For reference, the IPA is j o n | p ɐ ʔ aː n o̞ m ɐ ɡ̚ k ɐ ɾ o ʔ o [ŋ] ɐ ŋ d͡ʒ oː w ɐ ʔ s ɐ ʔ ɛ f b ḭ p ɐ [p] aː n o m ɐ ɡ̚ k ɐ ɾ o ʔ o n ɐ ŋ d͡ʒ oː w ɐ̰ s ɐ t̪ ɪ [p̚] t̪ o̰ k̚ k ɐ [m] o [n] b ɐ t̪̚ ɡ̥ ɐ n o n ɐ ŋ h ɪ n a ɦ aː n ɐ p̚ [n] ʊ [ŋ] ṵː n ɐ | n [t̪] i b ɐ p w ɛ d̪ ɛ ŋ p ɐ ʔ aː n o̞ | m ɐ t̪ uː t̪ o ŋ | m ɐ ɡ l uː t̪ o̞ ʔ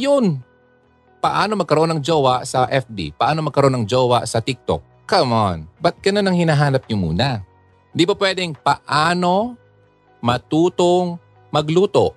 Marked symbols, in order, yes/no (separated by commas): no, no, no, yes, yes, no, no, no